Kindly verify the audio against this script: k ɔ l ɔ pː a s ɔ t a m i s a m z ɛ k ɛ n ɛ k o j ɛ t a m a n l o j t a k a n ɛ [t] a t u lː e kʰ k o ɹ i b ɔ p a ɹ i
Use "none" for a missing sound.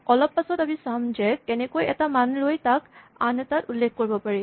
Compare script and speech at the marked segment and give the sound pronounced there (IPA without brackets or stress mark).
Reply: t